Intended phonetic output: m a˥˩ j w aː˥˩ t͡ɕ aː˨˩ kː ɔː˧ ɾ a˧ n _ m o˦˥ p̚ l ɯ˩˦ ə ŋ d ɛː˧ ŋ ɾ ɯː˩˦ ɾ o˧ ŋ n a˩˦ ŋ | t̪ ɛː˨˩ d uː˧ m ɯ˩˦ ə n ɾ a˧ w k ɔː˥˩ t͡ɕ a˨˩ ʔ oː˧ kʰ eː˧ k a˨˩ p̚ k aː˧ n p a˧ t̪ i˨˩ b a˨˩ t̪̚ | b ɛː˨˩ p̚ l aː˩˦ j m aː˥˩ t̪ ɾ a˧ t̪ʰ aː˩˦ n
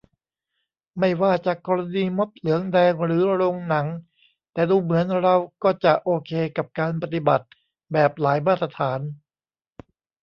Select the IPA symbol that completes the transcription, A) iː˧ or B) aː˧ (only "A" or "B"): A